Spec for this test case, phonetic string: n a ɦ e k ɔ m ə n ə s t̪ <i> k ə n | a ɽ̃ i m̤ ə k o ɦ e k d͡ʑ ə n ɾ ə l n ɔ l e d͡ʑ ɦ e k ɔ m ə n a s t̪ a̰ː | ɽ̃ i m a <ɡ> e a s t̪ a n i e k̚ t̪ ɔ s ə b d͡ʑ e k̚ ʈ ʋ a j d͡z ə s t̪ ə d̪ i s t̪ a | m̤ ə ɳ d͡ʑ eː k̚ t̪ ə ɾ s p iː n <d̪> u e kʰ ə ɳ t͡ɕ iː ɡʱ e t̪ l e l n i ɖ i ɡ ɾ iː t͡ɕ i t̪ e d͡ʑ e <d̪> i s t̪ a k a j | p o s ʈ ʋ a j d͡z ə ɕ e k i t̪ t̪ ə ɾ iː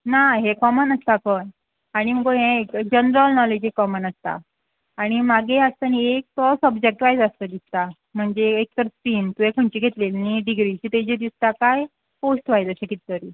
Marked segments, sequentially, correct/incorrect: incorrect: a, correct, incorrect: t̪, correct

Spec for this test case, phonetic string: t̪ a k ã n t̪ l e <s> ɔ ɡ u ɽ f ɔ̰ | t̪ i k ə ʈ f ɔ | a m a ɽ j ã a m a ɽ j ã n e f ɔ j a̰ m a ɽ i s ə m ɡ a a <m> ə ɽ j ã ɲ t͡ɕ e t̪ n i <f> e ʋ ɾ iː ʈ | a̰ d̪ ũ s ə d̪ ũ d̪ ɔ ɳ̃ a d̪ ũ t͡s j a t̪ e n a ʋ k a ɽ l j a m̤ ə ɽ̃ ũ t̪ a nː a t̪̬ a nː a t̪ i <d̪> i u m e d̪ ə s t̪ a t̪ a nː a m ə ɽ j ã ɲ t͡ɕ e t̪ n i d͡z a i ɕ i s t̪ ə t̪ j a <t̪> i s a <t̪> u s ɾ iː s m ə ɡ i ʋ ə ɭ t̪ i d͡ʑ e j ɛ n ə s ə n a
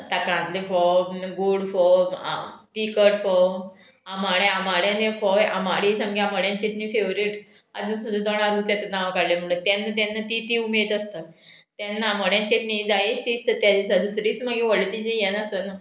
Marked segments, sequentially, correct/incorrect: incorrect: f, correct, correct, incorrect: t̪, incorrect: d̪, incorrect: d̪

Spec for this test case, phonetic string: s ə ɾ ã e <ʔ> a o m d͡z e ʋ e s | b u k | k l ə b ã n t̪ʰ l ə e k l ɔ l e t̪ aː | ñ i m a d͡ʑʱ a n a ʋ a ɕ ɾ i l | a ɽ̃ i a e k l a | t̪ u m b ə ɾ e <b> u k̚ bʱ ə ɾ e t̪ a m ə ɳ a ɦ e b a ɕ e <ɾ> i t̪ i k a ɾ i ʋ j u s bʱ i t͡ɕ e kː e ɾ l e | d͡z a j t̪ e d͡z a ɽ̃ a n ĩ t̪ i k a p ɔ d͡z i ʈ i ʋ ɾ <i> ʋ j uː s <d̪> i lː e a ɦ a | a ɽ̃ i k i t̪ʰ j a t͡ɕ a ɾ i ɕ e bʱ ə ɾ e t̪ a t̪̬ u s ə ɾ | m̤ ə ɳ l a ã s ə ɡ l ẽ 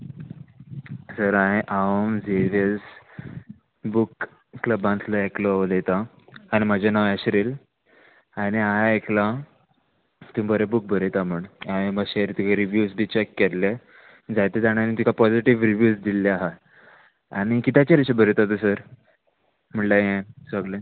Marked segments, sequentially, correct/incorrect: correct, correct, correct, correct, correct

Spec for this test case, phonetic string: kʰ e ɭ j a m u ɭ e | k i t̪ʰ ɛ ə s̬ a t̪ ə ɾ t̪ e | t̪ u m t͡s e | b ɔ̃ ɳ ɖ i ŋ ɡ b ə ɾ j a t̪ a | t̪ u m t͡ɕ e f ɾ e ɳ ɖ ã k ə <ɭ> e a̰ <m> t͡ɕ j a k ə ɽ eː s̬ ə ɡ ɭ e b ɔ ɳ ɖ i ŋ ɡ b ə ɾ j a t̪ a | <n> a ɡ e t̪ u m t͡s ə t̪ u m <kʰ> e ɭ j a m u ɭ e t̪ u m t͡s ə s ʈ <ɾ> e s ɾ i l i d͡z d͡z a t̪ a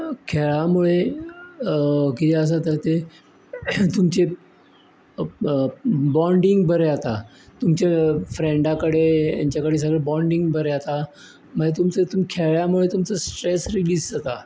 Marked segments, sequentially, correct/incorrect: incorrect: ɽ, incorrect: ɲ, incorrect: m, correct, correct

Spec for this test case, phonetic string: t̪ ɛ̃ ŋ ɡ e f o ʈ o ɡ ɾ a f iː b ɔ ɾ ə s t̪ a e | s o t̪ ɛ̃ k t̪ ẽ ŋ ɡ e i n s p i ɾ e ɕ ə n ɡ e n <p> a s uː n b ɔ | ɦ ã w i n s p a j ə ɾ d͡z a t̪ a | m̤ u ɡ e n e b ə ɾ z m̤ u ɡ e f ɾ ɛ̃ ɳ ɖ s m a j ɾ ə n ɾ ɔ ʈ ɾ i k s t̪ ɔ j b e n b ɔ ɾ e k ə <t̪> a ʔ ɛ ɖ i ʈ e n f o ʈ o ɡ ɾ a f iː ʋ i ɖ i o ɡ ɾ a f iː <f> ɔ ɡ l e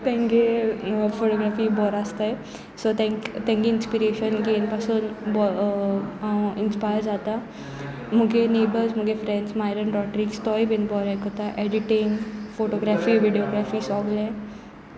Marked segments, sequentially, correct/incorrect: correct, correct, incorrect: s

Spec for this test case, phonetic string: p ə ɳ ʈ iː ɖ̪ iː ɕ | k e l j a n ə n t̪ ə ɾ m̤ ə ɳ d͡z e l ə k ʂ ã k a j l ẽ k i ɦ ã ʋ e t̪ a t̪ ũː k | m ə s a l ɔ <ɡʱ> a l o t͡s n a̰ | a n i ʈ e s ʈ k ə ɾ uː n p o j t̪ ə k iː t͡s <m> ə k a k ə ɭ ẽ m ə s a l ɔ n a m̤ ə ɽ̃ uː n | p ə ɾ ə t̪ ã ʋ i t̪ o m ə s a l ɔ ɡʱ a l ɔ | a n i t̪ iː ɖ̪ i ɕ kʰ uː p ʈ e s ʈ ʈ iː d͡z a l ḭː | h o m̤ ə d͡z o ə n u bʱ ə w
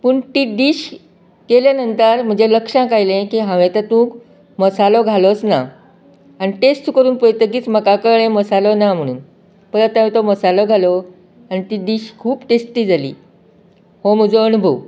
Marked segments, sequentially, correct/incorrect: correct, correct

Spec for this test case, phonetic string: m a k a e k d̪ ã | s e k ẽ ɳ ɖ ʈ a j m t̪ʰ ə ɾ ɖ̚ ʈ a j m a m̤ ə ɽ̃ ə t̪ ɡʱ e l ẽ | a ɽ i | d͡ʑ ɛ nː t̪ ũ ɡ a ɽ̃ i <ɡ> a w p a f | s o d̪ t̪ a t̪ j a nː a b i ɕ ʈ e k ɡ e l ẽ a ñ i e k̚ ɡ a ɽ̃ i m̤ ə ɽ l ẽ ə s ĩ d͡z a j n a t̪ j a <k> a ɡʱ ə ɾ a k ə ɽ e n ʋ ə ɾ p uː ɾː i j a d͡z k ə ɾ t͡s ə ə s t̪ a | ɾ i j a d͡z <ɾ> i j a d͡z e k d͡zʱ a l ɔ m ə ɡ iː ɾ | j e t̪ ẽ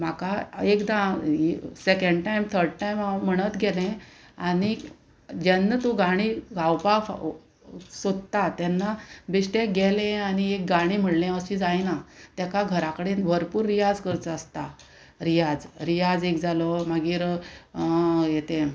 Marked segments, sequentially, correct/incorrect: correct, correct, correct

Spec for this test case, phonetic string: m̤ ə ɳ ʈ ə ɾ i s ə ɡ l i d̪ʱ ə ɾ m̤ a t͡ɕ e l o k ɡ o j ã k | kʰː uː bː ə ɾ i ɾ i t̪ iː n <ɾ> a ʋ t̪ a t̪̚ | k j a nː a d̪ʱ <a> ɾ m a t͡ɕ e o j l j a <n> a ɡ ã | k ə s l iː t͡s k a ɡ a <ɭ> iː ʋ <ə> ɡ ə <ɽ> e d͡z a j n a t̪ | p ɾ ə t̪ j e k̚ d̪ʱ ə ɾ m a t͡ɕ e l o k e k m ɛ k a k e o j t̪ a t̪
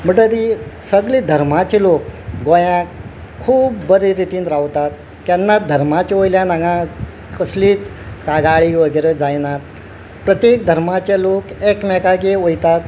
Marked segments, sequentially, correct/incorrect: correct, incorrect: ə, correct, correct, correct, incorrect: ɾ

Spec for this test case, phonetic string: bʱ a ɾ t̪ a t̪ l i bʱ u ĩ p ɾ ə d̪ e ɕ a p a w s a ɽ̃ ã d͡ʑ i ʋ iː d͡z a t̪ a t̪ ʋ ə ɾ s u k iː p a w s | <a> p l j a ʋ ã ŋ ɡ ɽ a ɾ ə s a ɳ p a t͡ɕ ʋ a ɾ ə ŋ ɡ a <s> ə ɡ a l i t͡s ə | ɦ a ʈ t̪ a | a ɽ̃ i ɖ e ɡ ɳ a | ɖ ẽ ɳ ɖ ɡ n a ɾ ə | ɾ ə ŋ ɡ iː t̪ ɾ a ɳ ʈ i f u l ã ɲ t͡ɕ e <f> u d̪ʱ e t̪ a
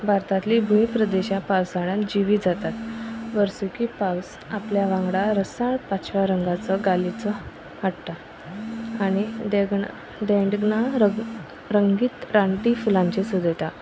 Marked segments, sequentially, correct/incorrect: correct, incorrect: t͡s, incorrect: s

